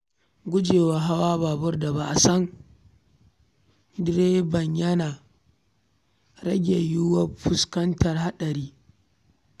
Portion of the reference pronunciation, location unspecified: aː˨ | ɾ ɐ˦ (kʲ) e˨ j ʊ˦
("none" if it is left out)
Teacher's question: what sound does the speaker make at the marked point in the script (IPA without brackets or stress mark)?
ɡʲ